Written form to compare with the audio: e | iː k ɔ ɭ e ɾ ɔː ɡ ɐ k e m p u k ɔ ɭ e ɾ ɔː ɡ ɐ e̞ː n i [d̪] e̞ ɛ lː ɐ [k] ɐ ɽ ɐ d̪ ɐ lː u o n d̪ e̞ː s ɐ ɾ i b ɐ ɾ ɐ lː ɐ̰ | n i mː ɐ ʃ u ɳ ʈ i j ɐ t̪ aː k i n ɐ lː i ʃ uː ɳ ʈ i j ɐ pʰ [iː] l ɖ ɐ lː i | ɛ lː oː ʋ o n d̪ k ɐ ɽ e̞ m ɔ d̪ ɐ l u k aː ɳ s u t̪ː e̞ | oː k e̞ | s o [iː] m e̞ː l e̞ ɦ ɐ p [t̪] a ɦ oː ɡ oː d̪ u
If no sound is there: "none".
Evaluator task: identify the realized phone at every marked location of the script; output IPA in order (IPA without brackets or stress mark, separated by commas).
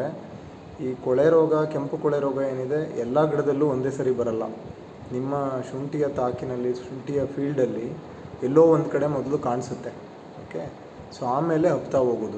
d̪, ɡ, iː, aː, t̪